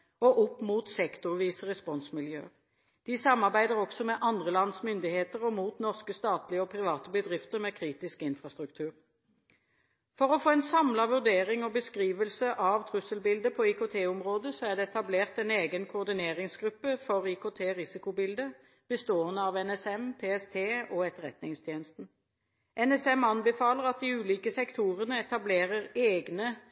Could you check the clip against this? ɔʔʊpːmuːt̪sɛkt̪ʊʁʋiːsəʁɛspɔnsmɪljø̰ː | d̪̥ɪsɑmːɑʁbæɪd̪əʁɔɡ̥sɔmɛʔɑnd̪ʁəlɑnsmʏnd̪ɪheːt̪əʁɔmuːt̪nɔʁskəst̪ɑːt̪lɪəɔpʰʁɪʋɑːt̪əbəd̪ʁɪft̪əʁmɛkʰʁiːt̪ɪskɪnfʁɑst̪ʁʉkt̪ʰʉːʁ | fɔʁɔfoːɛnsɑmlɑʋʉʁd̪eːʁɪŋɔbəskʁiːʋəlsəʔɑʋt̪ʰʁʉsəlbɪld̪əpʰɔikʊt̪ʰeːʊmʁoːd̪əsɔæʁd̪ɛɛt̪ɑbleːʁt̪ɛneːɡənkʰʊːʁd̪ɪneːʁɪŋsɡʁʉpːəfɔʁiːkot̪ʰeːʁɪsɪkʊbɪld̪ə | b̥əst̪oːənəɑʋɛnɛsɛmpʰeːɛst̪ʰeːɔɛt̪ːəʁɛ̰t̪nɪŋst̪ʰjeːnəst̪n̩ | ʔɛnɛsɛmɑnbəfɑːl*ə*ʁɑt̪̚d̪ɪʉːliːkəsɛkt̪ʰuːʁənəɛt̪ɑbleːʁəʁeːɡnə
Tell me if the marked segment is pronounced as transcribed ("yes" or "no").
yes